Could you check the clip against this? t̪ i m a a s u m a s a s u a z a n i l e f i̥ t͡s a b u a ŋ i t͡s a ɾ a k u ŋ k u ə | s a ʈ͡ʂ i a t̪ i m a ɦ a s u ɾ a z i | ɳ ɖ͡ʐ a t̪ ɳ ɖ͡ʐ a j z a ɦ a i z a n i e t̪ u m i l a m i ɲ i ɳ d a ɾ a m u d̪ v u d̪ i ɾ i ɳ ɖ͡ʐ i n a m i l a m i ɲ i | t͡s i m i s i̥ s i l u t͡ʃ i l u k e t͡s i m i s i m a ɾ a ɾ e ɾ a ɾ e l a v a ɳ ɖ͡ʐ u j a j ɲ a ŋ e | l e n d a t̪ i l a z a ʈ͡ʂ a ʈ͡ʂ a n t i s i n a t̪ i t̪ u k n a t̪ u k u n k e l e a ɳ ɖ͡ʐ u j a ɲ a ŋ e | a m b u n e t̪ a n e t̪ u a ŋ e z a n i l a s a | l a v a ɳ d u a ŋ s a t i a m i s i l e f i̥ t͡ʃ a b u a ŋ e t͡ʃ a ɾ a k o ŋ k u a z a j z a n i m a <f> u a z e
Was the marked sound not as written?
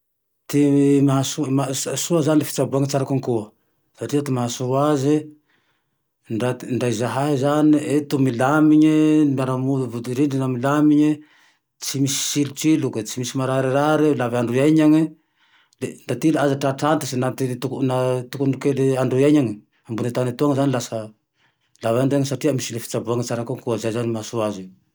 yes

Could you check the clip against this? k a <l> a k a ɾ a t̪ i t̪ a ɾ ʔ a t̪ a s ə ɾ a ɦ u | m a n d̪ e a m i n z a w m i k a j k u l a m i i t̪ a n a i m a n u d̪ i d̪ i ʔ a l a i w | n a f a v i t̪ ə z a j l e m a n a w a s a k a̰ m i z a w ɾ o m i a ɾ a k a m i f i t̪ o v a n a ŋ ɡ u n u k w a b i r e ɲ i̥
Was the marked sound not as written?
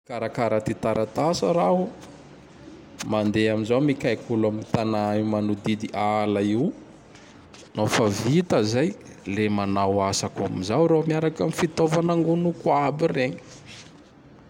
yes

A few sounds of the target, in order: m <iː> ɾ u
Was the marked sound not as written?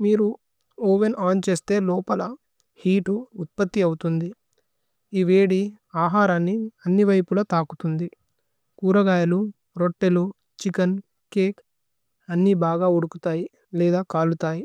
no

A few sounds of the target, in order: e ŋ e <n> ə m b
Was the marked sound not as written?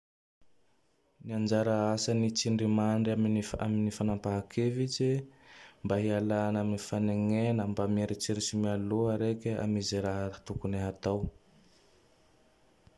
no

